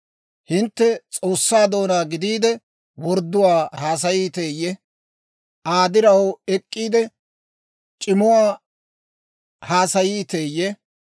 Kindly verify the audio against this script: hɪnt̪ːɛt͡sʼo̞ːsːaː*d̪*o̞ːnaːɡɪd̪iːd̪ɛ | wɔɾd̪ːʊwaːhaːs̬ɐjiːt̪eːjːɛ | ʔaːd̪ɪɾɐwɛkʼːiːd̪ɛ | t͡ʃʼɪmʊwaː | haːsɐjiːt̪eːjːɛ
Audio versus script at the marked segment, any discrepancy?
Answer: no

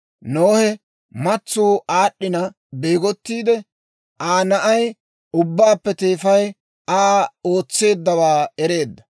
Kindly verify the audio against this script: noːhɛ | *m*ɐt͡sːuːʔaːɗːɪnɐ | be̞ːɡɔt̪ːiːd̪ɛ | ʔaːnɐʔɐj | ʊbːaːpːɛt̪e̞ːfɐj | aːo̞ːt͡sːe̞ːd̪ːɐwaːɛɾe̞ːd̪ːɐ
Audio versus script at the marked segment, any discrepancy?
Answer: no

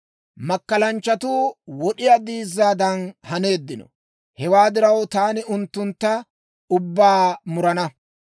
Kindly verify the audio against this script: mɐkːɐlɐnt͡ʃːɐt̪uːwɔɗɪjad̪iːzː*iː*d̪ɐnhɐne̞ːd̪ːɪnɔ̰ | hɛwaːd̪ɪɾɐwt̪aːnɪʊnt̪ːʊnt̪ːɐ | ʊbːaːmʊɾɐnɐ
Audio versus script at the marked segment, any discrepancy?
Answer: yes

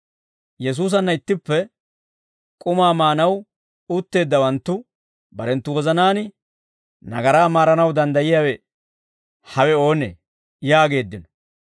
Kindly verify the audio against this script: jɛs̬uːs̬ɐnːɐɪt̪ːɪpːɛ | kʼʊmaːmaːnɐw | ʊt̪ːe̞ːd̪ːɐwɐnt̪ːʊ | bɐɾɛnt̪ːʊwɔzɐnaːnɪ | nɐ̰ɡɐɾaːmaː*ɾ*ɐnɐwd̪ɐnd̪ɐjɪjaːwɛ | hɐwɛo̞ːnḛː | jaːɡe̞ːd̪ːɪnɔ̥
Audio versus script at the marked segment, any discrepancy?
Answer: no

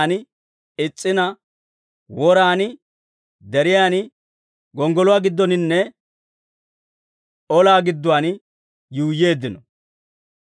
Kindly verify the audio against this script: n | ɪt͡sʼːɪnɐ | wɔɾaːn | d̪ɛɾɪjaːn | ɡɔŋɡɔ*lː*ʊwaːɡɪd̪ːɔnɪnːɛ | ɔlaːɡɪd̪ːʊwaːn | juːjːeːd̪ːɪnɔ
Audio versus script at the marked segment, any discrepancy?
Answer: yes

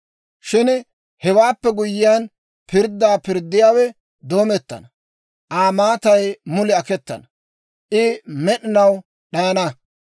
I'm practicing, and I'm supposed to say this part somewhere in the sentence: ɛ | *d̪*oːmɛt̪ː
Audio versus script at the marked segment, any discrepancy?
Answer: no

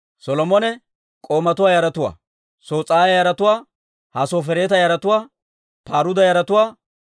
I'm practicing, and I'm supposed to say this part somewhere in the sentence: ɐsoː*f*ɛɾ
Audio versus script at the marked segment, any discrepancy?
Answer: no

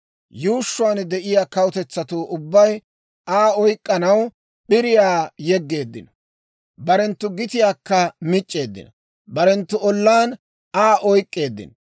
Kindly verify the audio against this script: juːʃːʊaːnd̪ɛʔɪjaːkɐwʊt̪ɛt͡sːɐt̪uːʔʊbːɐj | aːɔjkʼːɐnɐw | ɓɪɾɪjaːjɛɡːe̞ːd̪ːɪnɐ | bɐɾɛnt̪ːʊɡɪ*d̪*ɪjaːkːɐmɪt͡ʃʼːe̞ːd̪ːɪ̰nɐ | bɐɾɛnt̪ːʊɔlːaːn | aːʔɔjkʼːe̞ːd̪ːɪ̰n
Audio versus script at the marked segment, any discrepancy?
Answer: yes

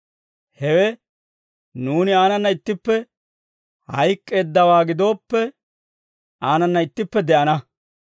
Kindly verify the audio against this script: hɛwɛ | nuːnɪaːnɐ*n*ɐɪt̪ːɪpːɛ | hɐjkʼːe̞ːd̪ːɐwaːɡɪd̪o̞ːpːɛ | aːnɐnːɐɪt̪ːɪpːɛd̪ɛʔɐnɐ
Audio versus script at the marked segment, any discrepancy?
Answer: yes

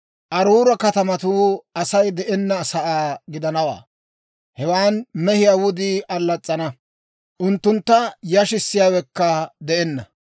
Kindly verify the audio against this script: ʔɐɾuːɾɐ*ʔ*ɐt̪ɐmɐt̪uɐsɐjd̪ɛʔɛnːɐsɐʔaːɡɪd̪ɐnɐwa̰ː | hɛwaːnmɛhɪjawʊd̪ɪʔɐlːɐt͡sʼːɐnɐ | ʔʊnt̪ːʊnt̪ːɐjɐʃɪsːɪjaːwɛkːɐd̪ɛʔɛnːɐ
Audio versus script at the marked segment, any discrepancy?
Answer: yes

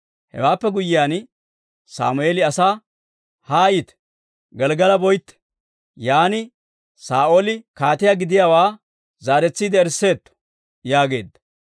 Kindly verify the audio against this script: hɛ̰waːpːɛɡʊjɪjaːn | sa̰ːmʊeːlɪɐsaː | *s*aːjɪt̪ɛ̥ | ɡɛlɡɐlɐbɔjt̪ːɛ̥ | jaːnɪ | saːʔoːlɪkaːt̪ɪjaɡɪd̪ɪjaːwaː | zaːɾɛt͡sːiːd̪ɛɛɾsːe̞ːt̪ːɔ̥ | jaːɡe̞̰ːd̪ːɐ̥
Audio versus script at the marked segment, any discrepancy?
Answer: yes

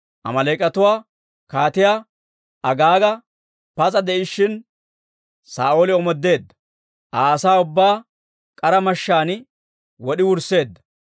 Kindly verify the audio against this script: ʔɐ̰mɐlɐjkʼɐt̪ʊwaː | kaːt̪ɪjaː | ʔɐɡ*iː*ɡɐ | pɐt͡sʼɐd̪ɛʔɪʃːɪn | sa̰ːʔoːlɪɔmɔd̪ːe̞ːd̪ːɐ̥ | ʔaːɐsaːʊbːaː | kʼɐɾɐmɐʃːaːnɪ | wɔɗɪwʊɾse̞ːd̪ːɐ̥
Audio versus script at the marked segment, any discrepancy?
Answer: yes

